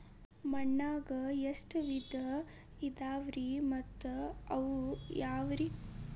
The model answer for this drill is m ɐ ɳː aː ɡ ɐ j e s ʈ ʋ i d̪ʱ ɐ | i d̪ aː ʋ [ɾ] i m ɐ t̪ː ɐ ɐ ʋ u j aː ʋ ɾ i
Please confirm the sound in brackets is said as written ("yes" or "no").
yes